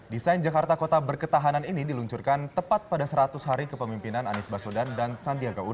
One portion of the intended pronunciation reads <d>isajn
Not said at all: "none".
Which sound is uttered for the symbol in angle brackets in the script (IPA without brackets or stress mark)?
d